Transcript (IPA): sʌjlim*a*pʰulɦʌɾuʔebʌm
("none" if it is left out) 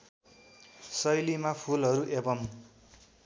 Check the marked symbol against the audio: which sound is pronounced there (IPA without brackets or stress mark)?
a